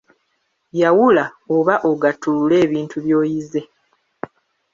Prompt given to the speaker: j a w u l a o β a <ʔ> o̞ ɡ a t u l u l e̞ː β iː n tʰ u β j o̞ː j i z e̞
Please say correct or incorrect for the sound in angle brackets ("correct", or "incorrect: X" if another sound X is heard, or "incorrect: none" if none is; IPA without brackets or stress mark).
correct